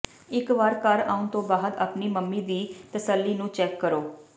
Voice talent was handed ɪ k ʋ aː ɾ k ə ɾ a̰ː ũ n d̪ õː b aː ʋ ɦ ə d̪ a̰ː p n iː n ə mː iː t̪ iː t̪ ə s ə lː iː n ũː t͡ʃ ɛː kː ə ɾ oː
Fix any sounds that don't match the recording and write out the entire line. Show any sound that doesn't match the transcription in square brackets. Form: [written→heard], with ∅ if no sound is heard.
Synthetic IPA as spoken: ɪ k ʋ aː ɾ k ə ɾ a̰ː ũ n [d̪→t̪] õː b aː [ʋ→∅] ɦ ə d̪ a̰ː p n iː [n→m] ə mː iː [t̪→d̪] iː t̪ ə s ə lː iː n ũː t͡ʃ ɛː kː ə ɾ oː